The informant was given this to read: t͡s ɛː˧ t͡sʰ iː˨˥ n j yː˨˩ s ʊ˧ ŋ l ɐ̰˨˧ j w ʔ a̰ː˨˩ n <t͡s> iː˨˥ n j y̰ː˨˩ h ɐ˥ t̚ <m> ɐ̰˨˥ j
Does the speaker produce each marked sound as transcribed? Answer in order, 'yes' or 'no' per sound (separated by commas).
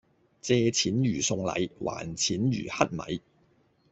no, yes